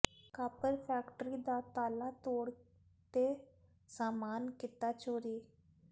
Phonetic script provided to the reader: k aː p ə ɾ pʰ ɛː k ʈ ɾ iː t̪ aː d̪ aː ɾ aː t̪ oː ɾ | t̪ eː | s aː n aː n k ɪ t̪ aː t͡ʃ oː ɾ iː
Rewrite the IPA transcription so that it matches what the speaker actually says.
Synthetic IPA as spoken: k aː p ə ɾ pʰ ɛː k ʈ ɾ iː d̪ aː t̪ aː l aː t̪ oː ɽ | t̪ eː | s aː m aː n k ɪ t̪ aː t͡ʃ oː ɾ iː